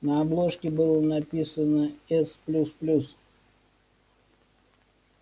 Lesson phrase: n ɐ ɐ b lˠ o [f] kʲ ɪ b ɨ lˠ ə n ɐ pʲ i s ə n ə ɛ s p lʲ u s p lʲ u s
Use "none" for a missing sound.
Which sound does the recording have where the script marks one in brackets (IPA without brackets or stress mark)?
ʂ